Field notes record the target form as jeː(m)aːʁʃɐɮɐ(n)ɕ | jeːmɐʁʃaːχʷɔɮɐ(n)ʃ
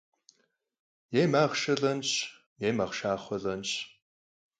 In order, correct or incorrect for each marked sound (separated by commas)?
correct, correct, correct